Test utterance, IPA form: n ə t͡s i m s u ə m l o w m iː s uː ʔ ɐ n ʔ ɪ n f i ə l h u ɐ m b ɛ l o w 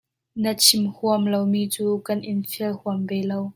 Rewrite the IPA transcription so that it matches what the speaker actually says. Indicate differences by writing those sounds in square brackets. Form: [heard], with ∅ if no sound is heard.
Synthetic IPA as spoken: n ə [t͡sʰ] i m [h] u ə m l o w m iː [t͡s] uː [k] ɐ n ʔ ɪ n f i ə l h u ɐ m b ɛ l o w